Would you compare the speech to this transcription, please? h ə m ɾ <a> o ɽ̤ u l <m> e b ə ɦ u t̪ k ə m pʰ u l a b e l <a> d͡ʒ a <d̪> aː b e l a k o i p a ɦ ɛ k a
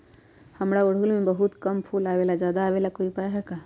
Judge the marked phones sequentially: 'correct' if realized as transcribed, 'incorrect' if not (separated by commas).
correct, correct, correct, correct